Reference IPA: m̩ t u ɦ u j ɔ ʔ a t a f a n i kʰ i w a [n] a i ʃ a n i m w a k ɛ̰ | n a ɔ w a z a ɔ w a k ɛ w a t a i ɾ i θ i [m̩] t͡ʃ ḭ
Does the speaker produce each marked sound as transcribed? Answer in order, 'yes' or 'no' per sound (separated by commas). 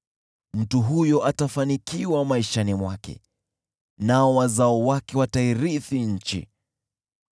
no, no